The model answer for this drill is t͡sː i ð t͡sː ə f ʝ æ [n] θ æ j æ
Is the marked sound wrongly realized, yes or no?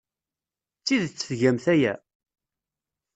yes